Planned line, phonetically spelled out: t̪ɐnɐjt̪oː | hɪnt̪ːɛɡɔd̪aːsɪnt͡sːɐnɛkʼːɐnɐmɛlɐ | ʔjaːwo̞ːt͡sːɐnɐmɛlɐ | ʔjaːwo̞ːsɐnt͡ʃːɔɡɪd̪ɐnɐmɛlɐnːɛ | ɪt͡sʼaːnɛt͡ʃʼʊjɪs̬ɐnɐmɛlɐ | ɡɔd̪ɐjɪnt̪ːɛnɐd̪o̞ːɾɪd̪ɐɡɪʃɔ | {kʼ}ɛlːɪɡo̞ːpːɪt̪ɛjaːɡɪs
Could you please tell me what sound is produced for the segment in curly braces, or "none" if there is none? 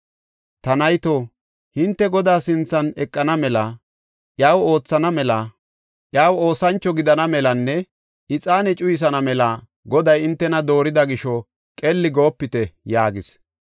kʼ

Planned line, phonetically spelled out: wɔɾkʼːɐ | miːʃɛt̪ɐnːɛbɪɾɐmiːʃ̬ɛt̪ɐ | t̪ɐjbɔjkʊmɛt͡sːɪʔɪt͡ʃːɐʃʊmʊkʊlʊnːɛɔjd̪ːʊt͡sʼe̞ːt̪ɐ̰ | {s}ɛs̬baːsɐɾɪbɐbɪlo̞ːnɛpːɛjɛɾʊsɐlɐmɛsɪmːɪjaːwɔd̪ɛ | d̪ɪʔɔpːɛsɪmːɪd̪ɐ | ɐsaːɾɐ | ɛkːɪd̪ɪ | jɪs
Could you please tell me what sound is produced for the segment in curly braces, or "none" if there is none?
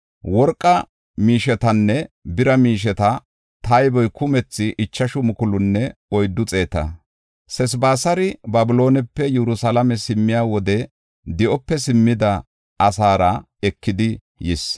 s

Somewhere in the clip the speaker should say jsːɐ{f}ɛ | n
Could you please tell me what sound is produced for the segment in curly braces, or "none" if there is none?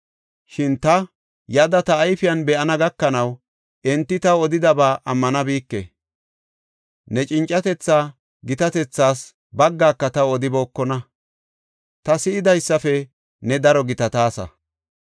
f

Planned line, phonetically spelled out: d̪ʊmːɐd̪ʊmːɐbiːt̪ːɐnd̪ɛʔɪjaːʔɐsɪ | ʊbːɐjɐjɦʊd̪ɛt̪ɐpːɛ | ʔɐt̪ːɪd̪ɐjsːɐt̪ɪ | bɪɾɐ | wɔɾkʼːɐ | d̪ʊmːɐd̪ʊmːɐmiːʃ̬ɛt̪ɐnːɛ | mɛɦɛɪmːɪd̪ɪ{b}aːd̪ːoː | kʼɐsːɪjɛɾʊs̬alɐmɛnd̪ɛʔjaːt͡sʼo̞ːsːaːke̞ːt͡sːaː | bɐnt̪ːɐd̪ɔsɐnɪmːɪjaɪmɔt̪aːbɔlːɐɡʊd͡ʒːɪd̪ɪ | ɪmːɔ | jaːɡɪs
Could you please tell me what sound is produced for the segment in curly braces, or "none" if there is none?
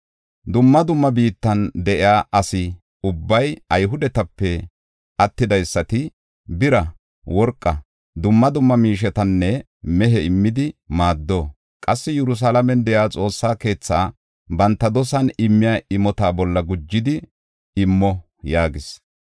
m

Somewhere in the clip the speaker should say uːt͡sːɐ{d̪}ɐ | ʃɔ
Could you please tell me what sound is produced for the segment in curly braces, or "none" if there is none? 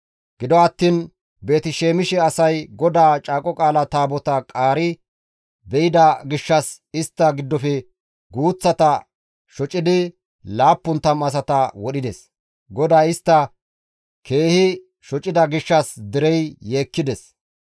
t̪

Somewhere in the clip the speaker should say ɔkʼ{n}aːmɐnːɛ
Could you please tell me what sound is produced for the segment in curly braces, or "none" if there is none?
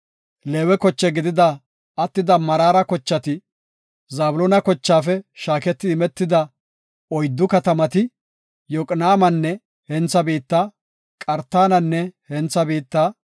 n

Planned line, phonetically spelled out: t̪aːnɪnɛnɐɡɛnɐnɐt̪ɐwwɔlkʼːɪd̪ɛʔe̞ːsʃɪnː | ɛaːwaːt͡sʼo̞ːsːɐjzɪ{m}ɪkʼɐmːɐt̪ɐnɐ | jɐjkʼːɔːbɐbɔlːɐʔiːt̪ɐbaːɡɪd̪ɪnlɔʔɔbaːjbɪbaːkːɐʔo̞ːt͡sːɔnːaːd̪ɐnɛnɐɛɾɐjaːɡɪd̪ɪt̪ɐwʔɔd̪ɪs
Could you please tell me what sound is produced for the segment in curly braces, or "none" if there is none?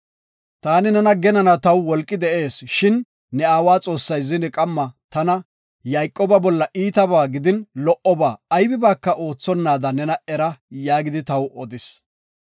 n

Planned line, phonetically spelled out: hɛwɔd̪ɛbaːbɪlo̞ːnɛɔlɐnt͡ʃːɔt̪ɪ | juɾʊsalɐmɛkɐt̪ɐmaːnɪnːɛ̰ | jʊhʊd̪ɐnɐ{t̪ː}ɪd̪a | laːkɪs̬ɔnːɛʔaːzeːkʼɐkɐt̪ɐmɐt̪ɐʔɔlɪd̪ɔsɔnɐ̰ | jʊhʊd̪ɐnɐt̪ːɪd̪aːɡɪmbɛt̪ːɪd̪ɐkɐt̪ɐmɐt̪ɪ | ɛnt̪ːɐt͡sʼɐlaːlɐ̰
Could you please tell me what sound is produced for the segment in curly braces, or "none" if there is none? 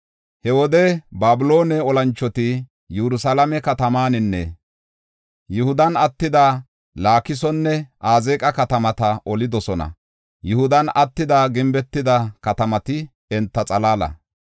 t̪ː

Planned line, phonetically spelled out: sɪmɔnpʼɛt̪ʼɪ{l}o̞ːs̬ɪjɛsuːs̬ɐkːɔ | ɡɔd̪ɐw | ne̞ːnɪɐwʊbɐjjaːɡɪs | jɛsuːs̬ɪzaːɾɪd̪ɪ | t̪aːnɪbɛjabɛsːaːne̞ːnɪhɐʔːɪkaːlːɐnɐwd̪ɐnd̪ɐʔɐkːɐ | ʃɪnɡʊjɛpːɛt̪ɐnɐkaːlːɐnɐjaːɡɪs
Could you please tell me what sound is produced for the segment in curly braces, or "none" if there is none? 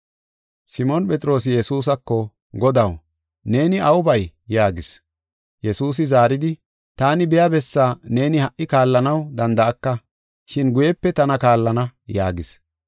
ɾ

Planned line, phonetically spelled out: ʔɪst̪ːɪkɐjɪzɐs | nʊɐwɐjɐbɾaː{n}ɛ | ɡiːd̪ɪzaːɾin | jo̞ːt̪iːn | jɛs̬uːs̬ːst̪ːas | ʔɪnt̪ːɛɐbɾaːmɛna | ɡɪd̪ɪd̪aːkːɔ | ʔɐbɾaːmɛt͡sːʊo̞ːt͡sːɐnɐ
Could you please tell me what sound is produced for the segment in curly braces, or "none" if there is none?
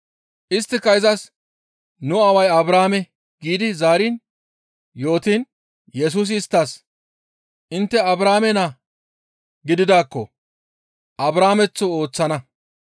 m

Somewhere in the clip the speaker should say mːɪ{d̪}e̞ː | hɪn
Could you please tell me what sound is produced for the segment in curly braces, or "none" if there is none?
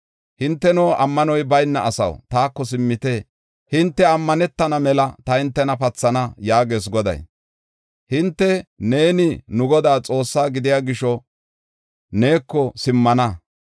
t̪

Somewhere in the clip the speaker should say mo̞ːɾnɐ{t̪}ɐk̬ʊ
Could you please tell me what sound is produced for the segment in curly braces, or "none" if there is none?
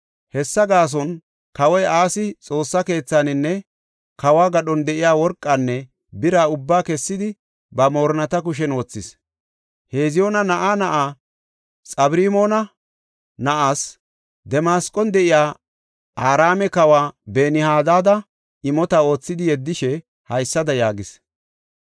t̪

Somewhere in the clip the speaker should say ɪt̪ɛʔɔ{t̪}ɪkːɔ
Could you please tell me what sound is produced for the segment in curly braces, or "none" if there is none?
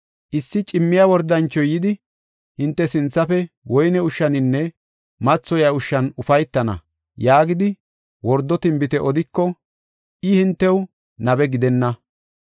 d̪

